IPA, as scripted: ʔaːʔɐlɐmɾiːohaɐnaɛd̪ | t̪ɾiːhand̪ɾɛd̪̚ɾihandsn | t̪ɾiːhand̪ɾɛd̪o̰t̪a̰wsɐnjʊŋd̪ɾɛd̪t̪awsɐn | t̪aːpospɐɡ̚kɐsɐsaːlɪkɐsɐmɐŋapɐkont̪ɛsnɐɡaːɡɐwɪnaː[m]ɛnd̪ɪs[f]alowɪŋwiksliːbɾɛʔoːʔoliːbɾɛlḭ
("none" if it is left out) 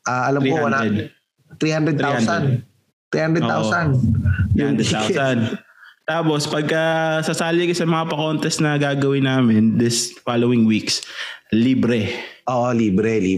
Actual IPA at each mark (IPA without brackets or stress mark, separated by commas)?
m, f